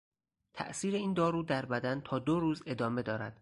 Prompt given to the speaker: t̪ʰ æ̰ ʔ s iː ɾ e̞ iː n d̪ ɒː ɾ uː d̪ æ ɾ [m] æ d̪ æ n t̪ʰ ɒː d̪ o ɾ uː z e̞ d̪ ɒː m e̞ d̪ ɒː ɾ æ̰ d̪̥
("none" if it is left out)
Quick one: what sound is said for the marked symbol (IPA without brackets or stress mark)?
b